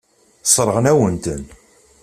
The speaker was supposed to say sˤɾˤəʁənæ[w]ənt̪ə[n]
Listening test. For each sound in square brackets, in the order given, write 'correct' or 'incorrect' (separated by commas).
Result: correct, correct